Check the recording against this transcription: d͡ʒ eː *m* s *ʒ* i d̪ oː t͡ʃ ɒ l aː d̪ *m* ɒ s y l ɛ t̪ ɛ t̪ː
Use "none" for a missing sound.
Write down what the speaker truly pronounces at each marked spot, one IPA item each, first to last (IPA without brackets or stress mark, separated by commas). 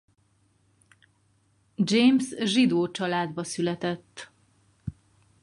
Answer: m, ʒ, b